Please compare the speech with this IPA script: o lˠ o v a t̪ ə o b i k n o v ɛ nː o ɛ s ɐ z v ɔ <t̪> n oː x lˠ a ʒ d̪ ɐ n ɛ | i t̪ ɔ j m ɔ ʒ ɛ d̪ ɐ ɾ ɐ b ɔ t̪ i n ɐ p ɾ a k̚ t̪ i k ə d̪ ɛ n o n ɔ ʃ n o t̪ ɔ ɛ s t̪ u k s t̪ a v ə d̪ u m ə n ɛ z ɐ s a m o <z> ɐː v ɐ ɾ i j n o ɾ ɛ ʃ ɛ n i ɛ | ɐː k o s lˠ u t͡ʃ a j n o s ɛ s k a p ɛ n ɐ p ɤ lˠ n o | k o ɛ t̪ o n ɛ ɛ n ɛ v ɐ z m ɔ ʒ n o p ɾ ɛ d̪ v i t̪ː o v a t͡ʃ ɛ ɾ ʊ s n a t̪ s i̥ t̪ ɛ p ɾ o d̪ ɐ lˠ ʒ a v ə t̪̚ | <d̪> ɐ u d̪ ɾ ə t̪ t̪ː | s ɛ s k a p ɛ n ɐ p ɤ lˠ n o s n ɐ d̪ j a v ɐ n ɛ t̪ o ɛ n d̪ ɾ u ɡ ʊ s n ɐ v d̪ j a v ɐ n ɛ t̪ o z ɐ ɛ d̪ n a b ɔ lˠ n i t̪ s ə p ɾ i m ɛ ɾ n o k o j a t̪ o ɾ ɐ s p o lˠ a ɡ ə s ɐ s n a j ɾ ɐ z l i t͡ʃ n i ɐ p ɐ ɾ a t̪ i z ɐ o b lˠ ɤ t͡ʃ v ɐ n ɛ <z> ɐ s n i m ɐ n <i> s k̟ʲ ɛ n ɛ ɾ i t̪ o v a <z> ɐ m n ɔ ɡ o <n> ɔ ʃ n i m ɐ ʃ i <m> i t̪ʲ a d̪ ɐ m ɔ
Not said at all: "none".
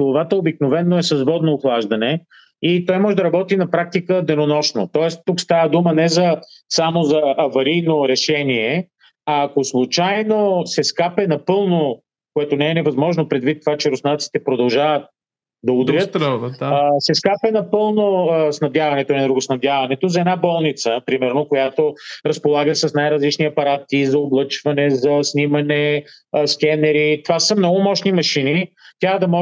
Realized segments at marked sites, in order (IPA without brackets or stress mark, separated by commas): d̪, z, d̪, z, ɛ, s, m, n